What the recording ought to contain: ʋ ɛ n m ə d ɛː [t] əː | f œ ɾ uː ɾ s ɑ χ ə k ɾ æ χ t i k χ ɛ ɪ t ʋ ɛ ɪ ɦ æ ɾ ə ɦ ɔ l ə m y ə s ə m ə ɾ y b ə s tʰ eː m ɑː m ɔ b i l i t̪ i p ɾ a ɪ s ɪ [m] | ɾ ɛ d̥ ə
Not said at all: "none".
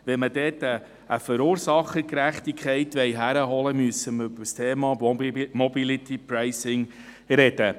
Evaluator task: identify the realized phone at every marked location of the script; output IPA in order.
t, ŋ

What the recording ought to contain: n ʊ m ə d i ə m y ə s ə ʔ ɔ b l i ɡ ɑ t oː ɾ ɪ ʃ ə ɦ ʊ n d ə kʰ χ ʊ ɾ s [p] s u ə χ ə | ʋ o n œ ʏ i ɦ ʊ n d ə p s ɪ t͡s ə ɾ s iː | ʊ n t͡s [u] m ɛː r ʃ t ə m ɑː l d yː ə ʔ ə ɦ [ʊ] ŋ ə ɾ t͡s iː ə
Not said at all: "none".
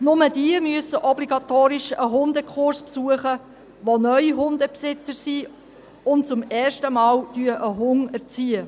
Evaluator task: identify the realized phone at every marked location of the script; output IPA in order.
p, ʊ, ʊ

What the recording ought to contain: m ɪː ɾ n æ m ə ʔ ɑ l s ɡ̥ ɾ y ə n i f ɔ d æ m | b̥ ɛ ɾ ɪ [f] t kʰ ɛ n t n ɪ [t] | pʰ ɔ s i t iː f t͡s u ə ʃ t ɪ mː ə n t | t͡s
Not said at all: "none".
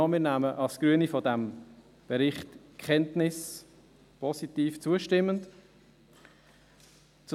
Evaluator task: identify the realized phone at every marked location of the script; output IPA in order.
χ, s

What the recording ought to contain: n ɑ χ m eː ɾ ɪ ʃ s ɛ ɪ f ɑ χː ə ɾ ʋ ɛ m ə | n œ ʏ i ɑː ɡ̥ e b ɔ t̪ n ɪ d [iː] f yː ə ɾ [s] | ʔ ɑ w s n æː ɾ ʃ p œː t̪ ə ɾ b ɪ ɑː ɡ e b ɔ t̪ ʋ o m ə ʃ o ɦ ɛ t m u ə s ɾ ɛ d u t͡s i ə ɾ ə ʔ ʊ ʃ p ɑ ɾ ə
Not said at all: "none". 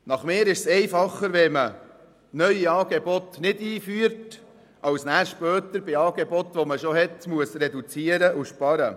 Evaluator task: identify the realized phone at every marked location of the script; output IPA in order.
iː, t

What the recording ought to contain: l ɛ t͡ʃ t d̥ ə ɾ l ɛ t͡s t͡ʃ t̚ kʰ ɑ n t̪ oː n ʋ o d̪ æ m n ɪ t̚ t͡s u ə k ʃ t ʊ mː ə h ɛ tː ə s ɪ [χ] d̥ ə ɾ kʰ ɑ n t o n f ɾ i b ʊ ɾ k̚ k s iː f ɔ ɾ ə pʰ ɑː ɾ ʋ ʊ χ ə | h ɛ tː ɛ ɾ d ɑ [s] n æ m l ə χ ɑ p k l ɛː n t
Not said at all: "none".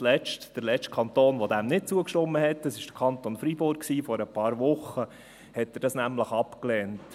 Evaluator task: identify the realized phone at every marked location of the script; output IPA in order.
ʃ, s

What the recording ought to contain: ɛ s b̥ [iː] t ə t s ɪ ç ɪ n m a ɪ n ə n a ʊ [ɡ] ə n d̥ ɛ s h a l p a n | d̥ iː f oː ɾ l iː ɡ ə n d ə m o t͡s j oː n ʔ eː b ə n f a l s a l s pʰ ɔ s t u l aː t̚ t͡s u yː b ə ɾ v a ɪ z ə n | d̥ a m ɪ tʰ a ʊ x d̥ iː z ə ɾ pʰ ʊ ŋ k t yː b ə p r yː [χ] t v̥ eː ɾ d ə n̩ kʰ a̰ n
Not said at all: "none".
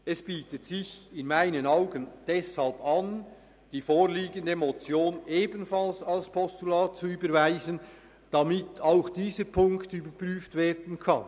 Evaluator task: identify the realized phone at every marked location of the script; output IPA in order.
iː, ɡ, f

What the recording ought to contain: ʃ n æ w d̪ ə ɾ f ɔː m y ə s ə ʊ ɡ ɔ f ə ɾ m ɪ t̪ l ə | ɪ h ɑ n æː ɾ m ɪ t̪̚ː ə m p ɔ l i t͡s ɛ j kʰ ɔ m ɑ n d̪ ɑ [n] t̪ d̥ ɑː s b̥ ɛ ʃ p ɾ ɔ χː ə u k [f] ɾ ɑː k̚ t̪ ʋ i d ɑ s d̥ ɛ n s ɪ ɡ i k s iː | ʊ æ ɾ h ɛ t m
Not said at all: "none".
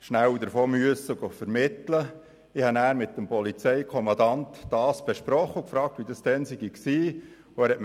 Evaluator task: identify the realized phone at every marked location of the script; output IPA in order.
n, f

